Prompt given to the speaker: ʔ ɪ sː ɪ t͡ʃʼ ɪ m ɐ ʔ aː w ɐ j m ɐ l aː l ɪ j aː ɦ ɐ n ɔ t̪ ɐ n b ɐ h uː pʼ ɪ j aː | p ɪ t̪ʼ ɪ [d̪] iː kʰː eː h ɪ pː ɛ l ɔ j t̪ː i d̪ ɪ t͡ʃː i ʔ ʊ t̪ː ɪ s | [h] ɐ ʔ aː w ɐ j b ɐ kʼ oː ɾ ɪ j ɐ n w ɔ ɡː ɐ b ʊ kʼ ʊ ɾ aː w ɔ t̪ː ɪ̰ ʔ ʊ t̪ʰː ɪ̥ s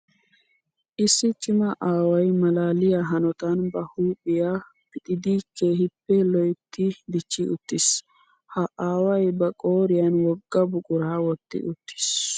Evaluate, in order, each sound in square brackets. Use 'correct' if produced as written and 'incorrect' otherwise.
correct, correct

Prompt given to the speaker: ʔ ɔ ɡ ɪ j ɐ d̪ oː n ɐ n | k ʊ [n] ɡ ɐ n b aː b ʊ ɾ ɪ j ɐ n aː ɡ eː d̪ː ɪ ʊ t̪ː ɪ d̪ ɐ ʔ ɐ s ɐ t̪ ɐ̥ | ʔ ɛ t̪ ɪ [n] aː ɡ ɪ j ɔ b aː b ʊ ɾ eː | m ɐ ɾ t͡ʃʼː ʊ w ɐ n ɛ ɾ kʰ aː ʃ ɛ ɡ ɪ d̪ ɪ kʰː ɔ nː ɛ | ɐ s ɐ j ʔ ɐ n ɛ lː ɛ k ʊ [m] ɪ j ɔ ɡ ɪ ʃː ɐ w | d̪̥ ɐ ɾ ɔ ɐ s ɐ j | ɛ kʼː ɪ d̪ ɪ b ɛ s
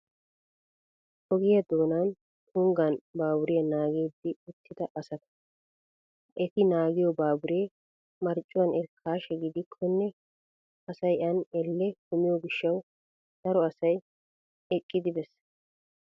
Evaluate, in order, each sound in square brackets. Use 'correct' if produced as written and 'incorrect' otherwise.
incorrect, correct, correct

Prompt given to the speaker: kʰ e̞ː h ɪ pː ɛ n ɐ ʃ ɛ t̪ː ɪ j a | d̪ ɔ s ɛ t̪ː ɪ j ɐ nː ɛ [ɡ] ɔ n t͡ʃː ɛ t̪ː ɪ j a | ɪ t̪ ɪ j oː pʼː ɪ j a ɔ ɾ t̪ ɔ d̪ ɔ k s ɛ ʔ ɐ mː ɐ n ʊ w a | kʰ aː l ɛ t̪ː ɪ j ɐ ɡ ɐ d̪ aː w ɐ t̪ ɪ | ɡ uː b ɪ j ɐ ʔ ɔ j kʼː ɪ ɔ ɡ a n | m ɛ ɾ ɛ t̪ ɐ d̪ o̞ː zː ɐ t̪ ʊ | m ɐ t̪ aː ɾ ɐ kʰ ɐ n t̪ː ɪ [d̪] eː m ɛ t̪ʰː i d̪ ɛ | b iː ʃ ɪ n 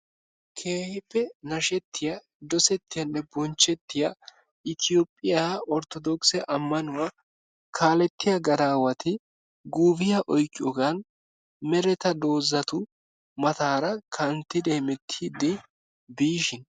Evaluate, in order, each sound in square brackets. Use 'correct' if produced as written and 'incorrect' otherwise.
incorrect, correct

